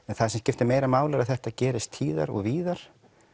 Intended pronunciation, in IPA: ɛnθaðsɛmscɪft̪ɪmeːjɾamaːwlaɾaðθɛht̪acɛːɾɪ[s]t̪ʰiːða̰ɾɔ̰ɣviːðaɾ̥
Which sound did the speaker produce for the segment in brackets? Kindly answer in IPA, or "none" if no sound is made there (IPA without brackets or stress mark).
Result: s